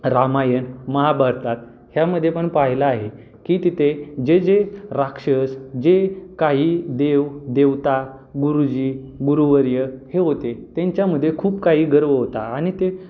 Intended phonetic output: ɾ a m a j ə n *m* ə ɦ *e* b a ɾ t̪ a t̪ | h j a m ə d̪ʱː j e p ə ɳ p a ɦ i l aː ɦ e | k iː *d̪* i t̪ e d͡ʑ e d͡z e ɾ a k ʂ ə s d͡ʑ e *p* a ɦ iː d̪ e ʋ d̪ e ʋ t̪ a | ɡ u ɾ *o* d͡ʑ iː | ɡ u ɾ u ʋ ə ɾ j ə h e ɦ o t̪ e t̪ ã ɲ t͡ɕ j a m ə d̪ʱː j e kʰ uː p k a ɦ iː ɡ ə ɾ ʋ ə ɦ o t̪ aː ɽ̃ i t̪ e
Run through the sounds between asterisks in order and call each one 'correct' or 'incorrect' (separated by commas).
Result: correct, incorrect, incorrect, incorrect, incorrect